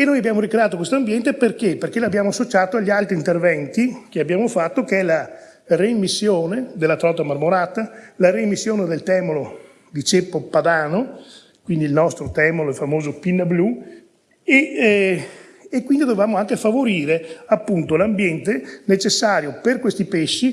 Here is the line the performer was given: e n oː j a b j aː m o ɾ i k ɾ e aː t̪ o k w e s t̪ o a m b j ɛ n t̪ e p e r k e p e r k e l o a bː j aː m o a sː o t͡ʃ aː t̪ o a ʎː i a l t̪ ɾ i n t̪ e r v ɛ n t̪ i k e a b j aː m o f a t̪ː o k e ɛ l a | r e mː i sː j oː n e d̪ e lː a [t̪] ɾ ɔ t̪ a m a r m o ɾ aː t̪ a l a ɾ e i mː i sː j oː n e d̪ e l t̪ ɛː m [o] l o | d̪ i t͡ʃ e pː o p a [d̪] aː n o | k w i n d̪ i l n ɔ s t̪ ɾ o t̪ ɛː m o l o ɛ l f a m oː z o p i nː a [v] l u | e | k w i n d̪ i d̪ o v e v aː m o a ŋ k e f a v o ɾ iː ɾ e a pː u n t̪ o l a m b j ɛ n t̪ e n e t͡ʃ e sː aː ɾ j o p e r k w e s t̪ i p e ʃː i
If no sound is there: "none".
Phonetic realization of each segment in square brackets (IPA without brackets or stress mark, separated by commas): t̪, o, d̪, b